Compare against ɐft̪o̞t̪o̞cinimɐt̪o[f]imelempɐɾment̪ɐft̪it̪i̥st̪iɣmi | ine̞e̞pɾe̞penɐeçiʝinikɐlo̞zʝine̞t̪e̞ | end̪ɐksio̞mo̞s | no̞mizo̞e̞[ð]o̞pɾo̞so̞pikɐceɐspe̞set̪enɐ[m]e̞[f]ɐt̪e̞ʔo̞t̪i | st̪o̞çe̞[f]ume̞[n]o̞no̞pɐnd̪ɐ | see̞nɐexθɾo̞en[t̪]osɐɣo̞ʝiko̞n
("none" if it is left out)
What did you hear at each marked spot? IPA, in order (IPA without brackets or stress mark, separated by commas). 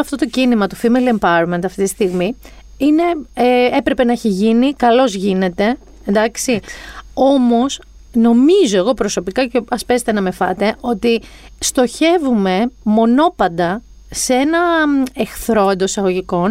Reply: f, ɣ, m, f, v, m, d̪